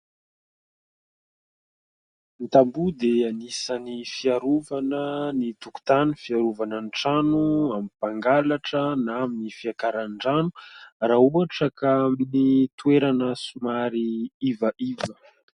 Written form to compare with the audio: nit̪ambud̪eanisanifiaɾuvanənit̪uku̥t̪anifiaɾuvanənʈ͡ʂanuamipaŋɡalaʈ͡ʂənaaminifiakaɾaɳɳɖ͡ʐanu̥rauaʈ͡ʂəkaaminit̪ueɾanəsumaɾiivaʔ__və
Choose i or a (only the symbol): i